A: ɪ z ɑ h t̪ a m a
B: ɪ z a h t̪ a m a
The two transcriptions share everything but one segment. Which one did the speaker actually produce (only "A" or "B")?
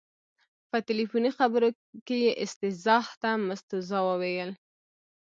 A